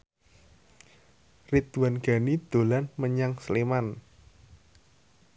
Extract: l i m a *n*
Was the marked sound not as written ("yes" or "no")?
no